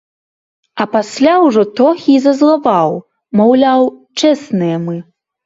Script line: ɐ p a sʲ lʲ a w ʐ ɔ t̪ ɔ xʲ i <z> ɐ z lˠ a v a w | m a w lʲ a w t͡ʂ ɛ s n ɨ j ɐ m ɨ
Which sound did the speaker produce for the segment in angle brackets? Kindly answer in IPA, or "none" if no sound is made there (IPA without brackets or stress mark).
z